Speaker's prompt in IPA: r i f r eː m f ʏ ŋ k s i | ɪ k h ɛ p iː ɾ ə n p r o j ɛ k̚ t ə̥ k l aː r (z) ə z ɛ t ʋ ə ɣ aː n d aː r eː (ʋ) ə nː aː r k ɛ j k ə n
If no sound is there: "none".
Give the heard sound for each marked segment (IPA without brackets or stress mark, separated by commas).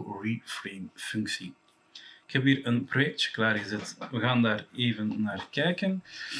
ɣ, v